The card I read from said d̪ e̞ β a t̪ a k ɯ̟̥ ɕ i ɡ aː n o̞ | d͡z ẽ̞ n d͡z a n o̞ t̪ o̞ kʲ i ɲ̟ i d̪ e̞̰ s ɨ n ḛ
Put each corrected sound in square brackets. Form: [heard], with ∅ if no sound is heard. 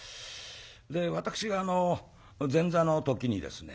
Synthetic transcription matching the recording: d̪ e̞ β a t̪ a k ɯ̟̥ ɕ i ɡ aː n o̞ | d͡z ẽ̞ n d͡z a n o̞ t̪ o̞ kʲ i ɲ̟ i d̪ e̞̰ s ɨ n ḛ